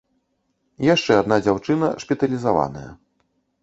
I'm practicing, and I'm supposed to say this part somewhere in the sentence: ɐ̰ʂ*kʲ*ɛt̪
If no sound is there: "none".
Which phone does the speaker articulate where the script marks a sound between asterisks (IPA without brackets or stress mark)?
pʲ